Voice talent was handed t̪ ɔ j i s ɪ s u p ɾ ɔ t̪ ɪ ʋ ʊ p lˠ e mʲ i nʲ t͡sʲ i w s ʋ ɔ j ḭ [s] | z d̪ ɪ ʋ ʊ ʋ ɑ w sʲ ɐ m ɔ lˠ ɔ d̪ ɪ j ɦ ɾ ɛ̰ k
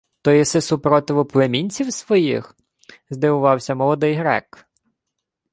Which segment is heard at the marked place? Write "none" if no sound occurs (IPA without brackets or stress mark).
x